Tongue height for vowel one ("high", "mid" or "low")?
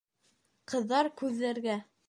mid